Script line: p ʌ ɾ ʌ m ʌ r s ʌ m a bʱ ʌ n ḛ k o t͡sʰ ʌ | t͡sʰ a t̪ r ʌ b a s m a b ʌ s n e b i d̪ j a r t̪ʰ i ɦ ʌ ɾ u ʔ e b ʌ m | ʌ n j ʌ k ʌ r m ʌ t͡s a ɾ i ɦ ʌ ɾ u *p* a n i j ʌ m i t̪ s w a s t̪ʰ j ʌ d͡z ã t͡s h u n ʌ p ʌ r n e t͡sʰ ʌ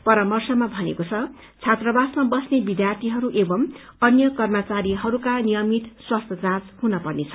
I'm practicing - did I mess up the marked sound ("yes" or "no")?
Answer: yes